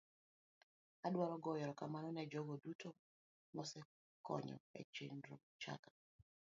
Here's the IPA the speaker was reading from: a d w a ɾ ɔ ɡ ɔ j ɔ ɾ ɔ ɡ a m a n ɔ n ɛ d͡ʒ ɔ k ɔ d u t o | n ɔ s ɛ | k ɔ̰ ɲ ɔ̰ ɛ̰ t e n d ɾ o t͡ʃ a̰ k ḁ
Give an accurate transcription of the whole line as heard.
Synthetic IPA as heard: a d w a ɾ ɔ ɡ ɔ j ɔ ɾ ɔ k a m a n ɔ n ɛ d͡ʒ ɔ ɡ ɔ d u t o | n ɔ s ɛ | k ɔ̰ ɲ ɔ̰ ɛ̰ t͡ʃ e n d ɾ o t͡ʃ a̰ k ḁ